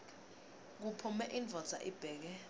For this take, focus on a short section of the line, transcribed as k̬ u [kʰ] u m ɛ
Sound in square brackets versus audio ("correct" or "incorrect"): incorrect